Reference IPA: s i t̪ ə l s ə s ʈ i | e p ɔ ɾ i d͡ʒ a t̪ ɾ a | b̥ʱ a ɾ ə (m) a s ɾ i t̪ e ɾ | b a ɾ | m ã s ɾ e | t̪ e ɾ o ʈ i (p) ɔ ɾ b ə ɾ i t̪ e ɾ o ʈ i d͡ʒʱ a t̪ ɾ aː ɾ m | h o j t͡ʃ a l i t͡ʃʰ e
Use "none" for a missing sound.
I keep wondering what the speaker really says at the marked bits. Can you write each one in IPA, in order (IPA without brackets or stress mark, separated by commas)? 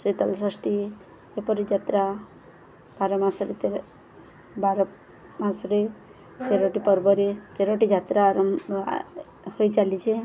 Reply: m, p